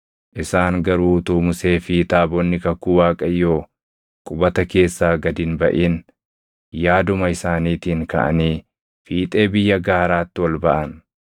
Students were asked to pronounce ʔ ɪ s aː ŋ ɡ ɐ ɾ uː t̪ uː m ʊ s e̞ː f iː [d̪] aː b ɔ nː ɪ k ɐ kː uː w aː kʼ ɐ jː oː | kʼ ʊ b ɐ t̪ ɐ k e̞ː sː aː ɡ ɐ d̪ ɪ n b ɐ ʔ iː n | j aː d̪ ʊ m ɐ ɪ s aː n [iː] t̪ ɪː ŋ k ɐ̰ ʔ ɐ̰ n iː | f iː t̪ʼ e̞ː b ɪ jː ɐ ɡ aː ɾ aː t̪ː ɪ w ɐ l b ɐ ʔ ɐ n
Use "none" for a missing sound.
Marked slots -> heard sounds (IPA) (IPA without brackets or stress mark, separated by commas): t̪, iː